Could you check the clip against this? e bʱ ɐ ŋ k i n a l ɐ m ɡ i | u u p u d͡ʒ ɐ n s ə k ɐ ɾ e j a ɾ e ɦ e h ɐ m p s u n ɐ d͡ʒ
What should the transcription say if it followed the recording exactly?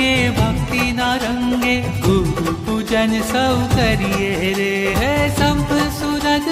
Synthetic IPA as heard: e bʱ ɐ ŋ k i n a ɾ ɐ ŋ ɡ e | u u p u d͡ʒ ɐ n s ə k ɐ ɾ i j e ɾ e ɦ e s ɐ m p s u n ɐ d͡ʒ